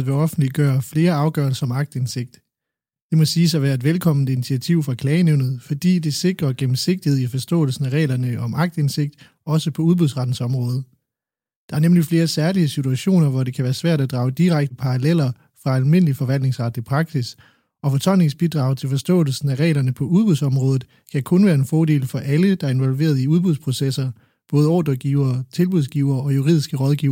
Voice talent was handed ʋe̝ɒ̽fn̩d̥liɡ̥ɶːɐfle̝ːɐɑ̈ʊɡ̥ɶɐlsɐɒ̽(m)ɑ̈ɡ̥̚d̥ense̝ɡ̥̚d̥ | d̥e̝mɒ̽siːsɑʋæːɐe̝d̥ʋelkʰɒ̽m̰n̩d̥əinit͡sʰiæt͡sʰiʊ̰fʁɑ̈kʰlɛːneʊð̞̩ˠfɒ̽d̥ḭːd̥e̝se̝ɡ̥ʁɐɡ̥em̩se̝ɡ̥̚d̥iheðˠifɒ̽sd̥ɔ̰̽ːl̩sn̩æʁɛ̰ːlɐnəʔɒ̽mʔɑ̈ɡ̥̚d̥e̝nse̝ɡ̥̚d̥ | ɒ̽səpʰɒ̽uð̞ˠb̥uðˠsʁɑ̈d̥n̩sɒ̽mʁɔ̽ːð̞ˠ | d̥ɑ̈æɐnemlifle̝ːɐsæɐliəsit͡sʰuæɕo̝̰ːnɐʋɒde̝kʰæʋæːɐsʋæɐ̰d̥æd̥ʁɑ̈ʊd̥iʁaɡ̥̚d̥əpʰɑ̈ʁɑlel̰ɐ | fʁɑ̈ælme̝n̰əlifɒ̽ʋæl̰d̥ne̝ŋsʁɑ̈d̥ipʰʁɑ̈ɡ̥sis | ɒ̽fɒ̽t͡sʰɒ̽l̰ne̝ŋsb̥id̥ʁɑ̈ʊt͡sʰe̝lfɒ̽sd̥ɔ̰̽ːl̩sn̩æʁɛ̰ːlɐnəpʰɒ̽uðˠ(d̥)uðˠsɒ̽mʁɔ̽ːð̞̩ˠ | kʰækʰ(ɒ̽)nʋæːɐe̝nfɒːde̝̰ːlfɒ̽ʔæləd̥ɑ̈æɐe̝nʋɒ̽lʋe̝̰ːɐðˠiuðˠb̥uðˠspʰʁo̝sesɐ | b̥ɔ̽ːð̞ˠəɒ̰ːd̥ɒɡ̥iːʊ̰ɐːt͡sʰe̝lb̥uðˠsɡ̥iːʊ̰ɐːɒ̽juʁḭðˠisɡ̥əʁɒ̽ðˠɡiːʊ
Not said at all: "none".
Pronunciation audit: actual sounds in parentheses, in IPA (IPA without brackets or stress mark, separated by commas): m, b̥, ɔ̽